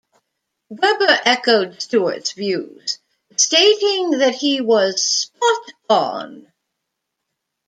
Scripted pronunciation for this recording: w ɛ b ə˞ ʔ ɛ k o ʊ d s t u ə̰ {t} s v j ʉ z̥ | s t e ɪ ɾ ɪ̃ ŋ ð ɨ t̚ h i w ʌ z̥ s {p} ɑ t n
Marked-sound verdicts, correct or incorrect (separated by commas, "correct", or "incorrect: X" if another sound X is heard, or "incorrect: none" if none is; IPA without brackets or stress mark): correct, correct